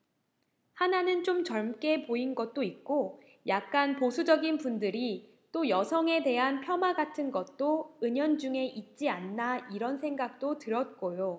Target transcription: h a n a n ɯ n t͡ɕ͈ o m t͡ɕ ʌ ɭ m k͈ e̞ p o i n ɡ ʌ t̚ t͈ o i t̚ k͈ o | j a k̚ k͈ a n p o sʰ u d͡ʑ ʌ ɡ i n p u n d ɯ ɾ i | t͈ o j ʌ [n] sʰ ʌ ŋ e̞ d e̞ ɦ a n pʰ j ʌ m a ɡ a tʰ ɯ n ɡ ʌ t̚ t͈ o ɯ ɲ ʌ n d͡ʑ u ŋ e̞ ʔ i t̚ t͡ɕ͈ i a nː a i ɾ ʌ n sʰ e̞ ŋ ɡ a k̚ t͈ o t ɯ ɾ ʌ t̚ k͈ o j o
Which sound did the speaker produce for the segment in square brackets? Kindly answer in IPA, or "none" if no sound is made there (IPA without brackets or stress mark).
none